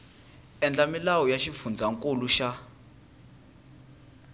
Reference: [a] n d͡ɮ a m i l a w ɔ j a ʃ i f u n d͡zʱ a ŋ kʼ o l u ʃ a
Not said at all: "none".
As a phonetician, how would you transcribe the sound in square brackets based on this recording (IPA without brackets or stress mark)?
ɛ